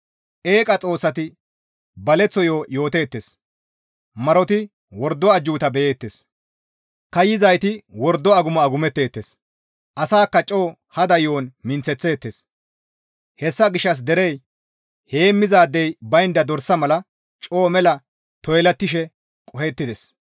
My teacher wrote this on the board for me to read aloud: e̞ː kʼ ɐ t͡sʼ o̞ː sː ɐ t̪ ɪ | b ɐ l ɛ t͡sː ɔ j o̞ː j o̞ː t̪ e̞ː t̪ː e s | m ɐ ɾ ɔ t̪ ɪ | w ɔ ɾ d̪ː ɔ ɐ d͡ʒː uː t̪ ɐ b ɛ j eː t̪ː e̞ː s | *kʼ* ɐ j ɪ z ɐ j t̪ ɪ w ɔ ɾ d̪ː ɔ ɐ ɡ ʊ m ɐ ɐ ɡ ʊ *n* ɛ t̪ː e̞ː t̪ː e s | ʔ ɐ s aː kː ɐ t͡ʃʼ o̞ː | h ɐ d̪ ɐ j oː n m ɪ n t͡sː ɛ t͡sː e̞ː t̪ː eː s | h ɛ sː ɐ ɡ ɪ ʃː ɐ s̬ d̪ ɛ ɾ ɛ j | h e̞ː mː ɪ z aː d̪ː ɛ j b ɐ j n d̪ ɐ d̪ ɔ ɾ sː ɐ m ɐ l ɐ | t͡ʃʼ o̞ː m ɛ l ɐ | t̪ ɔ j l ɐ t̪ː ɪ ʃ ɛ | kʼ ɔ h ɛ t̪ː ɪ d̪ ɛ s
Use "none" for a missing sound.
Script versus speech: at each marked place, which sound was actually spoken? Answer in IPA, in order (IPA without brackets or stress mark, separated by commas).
k, m